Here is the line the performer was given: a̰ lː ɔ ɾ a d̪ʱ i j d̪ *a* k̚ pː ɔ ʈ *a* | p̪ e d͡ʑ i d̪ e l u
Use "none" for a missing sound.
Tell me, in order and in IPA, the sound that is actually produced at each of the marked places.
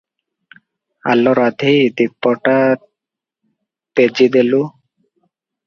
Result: i, a

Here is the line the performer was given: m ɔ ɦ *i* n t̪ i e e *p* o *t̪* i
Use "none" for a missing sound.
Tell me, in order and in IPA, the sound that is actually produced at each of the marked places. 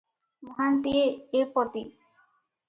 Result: a, p, t̪

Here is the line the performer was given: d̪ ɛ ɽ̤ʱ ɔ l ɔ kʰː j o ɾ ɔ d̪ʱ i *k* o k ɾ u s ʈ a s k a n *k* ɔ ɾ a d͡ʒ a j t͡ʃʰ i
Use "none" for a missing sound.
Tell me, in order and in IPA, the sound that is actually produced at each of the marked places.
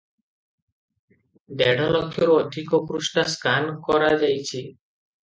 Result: k, k

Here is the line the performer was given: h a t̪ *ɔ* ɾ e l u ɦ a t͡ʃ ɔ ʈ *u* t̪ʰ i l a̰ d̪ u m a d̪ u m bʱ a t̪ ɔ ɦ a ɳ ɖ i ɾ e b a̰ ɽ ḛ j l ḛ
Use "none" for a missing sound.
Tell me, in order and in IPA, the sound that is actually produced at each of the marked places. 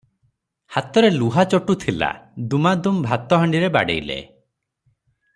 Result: ɔ, u

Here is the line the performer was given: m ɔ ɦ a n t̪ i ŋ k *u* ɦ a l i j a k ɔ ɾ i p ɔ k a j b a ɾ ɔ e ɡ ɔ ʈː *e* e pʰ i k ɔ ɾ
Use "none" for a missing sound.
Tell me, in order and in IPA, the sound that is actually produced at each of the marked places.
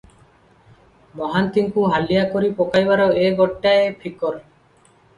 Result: u, a

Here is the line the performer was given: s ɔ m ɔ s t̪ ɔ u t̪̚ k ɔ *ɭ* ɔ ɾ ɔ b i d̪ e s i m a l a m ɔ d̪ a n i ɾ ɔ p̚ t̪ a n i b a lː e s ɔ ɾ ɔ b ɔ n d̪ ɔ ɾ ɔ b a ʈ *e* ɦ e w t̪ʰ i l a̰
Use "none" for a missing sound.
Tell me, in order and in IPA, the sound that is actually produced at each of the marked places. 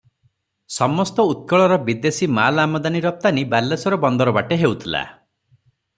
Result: ɭ, e

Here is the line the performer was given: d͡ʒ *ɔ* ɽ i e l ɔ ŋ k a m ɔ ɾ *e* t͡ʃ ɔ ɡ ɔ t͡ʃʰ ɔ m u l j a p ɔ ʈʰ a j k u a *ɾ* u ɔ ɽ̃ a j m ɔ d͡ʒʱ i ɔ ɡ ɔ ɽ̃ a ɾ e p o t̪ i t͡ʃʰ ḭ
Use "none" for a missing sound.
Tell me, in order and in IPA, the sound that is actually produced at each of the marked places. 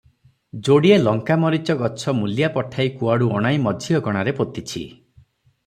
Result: o, i, ɽ

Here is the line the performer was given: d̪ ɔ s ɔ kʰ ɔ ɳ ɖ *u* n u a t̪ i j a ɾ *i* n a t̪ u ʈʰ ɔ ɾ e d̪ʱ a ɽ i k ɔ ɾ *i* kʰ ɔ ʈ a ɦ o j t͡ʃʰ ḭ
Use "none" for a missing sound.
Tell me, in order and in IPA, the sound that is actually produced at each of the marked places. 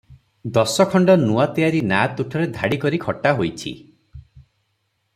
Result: ɔ, i, i

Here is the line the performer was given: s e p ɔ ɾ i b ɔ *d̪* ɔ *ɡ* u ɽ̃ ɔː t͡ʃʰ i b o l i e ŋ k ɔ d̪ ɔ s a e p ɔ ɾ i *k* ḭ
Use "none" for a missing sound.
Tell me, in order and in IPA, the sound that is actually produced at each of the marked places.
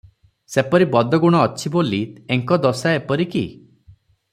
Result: d̪, ɡ, k

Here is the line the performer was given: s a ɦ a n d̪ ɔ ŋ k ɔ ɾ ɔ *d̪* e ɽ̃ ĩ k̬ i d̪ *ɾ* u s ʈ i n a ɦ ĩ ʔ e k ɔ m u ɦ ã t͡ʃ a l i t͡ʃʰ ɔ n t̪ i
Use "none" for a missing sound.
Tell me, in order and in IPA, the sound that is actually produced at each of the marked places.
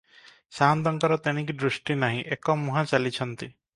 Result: t̪, ɾ

